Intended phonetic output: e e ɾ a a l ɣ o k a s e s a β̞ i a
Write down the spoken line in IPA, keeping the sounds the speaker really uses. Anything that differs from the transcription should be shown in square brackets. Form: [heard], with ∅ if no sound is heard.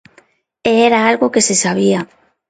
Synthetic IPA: e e ɾ a a l ɣ o k [e] s e s a β̞ i a